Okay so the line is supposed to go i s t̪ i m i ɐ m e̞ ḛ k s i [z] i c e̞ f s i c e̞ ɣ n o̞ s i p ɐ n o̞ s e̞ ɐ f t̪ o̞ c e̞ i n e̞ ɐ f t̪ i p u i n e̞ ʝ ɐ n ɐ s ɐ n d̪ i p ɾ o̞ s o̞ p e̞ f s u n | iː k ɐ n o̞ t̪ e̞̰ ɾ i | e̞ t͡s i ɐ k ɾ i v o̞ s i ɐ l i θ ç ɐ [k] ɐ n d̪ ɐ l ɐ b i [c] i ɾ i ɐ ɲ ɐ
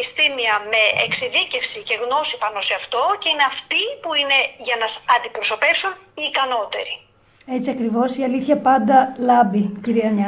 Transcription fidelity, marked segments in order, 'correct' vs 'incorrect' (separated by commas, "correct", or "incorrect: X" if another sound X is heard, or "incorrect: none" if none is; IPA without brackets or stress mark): incorrect: ð, incorrect: p, correct